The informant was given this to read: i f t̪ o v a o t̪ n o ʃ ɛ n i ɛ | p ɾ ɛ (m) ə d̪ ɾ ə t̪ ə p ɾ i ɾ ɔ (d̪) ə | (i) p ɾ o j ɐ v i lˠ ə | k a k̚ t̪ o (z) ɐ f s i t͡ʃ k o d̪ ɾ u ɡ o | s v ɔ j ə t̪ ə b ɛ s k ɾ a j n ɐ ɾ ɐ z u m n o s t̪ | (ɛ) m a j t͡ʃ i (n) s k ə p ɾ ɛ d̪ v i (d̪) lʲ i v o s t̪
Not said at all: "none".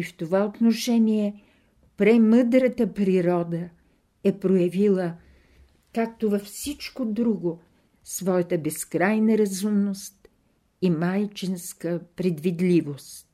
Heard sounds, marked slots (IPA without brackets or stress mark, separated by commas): m, d̪, ɛ, v, i, n, d̪